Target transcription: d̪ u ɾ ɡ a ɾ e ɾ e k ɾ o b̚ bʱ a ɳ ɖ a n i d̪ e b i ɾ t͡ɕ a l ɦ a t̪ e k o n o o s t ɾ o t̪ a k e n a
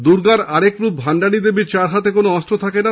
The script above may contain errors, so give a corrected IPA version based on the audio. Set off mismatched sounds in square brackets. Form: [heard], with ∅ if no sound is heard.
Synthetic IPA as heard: d̪ u ɾ ɡ a ɾ [a] ɾ e k ɾ [u] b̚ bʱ a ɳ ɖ a n i d̪ e b i ɾ t͡ɕ a [ɾ] ɦ a t̪ e k o n o [ɔ] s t ɾ o [t̪ʰ] a k e n a

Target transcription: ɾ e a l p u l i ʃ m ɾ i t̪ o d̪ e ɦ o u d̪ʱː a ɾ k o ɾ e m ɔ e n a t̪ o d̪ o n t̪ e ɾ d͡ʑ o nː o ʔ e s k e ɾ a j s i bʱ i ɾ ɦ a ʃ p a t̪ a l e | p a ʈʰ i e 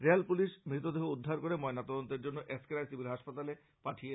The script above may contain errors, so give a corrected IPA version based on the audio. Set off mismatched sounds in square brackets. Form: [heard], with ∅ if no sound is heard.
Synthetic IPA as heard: ɾ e a l p u l i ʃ m ɾ i t̪ o d̪ e ɦ o u d̪ʱː a ɾ k o ɾ e m ɔ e n a t̪ [ɔ] d̪ o n t̪ e ɾ d͡ʑ o nː o ʔ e s k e ɾ a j s i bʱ i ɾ ɦ a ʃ p a t̪ a l e | p a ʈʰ i e

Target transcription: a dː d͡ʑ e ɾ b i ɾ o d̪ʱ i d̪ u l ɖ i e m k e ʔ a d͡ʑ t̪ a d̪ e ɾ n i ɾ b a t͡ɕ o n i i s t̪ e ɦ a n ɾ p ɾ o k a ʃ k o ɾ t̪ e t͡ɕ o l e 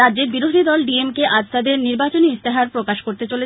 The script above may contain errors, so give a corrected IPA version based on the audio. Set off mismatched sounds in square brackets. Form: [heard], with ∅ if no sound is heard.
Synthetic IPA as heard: a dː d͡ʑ e ɾ b i ɾ o d̪ʱ i d̪ [ɔ] l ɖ i e m k e ʔ a d͡ʑ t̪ a d̪ e ɾ n i ɾ b a t͡ɕ o n i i s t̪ e ɦ a [∅] ɾ p ɾ o k a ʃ k o ɾ t̪ e t͡ɕ o l e

